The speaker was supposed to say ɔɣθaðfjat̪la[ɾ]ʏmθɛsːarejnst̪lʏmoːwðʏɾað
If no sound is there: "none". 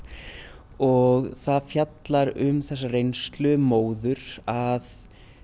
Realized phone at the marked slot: ɾ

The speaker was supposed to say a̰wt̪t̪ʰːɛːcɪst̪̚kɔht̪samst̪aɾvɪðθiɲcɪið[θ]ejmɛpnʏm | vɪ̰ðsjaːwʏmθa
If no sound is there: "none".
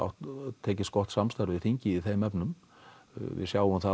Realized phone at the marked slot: θ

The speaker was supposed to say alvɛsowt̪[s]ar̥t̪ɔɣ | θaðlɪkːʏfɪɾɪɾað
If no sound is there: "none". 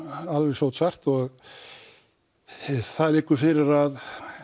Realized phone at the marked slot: s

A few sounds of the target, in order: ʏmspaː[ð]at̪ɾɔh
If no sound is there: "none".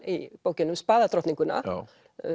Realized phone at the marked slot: ð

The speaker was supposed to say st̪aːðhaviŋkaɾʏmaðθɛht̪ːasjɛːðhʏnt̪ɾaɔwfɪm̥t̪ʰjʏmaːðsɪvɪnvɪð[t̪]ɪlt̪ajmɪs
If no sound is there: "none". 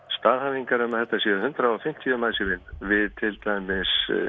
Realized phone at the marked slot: t̪ʰ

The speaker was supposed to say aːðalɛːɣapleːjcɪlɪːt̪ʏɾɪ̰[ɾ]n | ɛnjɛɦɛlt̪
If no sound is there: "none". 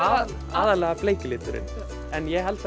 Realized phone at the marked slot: none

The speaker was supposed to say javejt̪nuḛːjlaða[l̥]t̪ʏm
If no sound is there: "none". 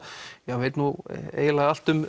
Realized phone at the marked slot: l̥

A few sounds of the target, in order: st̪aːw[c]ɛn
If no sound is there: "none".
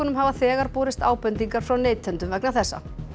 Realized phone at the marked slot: p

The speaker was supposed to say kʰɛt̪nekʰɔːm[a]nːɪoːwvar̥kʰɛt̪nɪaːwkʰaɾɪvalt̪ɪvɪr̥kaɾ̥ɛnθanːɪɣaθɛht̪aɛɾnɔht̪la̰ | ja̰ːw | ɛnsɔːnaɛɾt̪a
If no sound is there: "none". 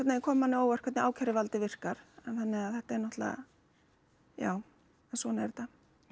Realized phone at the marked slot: a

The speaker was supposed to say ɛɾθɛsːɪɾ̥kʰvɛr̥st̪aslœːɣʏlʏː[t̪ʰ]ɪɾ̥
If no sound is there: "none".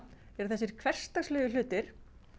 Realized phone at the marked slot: t̪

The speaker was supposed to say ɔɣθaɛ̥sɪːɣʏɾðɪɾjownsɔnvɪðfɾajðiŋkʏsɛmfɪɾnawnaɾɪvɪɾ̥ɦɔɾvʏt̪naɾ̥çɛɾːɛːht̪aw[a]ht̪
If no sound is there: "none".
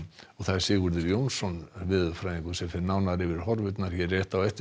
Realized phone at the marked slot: ɛ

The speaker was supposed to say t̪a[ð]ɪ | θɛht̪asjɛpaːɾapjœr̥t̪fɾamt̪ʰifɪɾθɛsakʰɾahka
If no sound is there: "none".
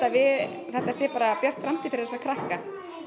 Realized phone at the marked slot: v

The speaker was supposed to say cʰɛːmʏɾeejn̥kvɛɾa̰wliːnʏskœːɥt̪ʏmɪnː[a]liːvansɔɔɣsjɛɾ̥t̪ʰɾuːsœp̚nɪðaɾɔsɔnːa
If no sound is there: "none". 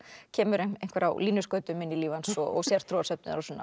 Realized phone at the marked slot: i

